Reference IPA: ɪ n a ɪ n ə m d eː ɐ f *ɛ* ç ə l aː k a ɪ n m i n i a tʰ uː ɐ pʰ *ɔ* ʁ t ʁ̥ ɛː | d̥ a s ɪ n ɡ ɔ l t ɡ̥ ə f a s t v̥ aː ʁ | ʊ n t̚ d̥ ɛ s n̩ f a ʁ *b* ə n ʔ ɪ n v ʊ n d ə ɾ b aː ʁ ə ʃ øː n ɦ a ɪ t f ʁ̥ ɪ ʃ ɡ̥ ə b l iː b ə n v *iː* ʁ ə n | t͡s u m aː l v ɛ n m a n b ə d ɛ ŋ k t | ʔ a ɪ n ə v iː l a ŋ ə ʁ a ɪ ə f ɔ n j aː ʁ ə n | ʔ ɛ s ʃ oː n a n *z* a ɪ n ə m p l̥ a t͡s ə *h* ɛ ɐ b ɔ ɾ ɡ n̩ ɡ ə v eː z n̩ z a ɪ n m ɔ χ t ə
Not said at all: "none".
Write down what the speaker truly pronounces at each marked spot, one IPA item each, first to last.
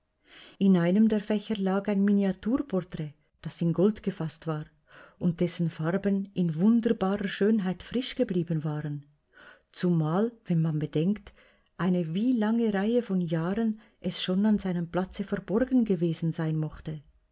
ɛ, ɔ, b, aː, z, f

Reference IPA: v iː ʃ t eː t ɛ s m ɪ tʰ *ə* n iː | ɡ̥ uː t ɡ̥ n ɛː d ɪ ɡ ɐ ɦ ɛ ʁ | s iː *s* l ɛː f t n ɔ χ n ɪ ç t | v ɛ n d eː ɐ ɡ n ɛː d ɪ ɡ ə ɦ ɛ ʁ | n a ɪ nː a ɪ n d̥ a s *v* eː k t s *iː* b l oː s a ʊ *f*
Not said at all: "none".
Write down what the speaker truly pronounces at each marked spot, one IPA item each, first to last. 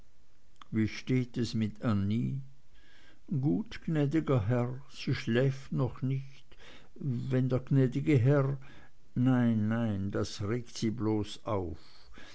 a, ʃ, ʁ, iː, f

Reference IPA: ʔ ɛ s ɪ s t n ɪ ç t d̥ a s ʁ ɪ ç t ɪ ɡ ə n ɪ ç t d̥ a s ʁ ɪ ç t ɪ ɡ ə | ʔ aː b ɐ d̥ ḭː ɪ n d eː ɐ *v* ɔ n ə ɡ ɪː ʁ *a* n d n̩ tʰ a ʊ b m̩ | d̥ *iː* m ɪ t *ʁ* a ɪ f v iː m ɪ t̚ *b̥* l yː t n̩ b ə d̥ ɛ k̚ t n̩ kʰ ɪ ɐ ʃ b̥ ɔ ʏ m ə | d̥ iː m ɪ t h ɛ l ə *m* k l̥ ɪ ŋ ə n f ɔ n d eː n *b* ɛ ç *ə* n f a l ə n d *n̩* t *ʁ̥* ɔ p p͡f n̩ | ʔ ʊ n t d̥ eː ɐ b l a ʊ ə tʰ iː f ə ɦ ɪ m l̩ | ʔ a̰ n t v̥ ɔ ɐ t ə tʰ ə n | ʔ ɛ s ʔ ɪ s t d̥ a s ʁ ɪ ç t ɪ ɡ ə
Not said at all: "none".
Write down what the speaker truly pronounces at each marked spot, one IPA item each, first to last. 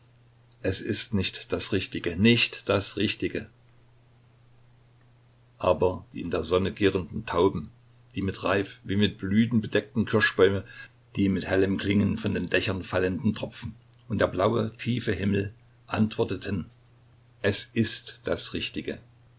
z, ə, iː, ʁ, b̥, m, d, ɐ, n̩, ʁ̥

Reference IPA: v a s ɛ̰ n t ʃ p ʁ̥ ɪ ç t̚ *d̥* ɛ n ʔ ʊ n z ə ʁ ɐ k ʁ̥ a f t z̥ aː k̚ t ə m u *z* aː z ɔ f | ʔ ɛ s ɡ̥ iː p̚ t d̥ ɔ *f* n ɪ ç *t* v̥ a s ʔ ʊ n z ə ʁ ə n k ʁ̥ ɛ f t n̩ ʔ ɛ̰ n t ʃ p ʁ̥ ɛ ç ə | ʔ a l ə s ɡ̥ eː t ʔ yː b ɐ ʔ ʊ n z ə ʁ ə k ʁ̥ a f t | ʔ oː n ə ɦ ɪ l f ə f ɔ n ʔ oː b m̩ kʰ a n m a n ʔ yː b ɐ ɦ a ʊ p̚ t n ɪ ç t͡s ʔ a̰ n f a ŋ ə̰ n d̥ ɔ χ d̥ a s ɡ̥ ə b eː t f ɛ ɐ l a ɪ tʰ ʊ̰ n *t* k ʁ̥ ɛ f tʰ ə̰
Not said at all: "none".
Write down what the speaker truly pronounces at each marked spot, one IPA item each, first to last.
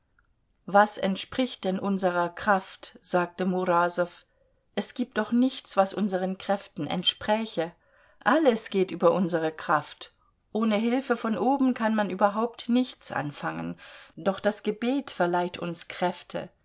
d̥, ʁ, χ, t͡s, s

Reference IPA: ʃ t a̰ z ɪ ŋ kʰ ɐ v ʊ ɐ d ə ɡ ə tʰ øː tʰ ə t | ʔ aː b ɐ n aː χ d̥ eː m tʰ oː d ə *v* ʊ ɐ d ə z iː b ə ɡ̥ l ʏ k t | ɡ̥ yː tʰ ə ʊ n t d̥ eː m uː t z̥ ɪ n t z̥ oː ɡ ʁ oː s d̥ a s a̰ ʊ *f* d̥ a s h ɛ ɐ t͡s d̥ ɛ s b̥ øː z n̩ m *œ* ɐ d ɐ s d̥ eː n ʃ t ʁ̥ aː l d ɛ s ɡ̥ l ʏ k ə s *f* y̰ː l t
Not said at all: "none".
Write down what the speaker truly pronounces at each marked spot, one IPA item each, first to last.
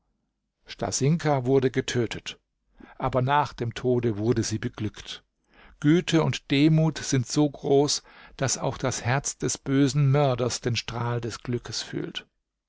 v, x, œ, f

